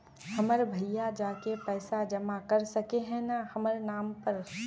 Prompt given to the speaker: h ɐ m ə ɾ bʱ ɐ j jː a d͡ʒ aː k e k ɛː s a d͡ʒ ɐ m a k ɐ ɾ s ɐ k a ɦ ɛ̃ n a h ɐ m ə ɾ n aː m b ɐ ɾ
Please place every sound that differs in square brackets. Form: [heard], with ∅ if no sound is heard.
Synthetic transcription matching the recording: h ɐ m ə ɾ bʱ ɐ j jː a d͡ʒ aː k e [p] ɛː s a d͡ʒ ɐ m a k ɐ ɾ s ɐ k [e] ɦ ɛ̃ n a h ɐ m ə ɾ n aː m [p] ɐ ɾ